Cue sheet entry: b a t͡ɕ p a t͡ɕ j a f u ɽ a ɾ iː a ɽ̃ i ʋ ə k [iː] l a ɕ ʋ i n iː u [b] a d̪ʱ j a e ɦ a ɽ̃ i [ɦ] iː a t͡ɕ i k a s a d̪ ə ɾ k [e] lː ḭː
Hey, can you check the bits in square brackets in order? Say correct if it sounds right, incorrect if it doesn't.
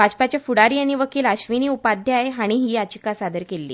correct, incorrect: p, correct, correct

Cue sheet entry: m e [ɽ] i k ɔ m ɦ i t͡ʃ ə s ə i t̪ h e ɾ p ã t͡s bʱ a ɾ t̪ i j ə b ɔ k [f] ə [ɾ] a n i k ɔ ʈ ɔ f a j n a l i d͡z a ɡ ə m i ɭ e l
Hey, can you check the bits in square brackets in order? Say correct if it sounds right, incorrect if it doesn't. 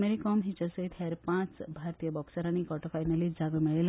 incorrect: ɾ, incorrect: s, correct

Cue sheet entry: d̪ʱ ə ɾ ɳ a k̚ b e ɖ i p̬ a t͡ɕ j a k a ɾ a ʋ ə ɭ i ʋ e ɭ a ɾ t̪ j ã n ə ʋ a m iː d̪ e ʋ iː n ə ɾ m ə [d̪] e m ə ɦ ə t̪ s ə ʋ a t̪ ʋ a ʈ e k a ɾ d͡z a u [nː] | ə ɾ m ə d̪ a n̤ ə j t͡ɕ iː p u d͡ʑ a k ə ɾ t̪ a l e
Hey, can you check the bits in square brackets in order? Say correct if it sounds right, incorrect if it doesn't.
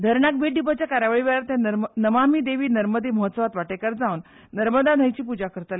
correct, correct

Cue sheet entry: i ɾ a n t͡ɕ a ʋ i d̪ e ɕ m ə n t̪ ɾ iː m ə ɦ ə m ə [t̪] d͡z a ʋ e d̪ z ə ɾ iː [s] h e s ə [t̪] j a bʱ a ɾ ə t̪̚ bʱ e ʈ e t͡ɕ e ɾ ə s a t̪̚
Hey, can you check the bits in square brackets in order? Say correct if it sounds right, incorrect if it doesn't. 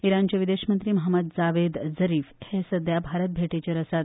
incorrect: d̪, incorrect: f, incorrect: d̪

